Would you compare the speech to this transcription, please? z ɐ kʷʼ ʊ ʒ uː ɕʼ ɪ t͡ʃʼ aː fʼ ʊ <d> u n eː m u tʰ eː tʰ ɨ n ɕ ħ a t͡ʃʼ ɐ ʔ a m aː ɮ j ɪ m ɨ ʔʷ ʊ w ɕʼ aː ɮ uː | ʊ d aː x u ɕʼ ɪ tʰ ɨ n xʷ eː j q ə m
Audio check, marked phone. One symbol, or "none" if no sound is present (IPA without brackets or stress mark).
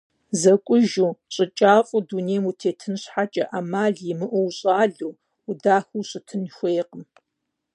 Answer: d